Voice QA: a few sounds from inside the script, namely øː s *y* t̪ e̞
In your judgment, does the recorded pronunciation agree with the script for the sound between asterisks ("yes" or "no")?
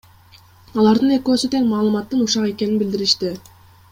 yes